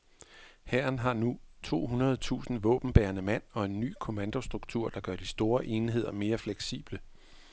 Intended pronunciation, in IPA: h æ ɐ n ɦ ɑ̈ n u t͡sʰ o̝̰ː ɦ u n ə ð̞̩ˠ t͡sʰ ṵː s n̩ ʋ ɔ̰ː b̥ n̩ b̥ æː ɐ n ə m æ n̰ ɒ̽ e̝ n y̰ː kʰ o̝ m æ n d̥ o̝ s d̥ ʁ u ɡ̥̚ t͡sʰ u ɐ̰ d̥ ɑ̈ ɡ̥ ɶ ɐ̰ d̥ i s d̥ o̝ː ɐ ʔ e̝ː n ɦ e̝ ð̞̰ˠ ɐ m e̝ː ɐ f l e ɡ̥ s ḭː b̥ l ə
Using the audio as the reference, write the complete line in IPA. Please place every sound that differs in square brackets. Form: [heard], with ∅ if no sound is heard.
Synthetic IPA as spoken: h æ ɐ n ɦ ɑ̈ n u t͡sʰ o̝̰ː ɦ u n [ɐ] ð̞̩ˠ t͡sʰ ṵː s n̩ ʋ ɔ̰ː b̥ n̩ b̥ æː ɐ n ə m æ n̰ ɒ̽ e̝ [nː] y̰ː kʰ o̝ m æ n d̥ o̝ s d̥ ʁ u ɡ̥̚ t͡sʰ u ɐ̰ d̥ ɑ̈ ɡ̥ ɶ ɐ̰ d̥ i s d̥ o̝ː ɐ ʔ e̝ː n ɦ e̝ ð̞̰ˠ ɐ m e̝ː ɐ f l e ɡ̥ s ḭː b̥ l ə